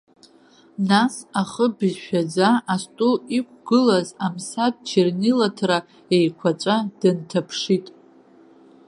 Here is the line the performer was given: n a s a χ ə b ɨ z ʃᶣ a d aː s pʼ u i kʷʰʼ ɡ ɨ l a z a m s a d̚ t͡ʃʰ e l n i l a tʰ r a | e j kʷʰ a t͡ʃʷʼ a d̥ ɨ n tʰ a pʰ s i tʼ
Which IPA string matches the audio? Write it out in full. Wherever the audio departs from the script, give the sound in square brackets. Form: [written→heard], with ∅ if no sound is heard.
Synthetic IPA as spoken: n a s a χ ə b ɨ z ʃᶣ a [d→d͡z] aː s [pʼ→tʼ] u i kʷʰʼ ɡ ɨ l a z a m s a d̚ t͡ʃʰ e [l→r] n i l a tʰ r a | e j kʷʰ a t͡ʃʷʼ a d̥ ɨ n tʰ a pʰ [s→ʂ] i tʼ